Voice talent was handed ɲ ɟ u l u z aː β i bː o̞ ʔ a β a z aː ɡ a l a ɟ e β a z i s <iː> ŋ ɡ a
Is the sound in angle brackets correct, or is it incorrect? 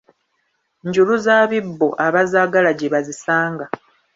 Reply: incorrect